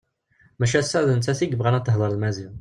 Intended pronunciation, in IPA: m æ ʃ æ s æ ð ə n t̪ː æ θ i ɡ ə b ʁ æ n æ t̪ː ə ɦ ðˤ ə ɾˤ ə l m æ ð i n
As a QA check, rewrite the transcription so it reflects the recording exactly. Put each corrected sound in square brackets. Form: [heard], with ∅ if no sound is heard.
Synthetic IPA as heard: m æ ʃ æ s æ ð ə n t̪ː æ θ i ɡ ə b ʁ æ n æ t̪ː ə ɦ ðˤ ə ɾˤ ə l m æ [z] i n